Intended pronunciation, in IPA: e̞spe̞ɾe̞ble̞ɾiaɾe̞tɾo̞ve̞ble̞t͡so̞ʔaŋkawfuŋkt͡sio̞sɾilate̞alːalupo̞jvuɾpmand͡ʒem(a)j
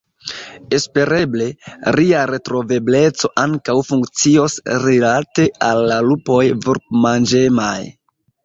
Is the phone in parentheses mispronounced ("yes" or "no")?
no